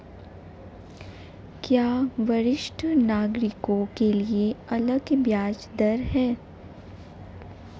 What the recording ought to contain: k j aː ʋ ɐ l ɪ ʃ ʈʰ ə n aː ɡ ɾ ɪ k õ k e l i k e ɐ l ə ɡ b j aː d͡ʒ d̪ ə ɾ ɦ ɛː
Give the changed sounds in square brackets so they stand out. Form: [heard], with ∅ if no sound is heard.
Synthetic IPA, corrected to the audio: k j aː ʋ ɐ [ɾ] ɪ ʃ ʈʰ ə n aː ɡ ɾ ɪ k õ k e l i [∅] e ɐ l ə ɡ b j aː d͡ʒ d̪ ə ɾ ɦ ɛː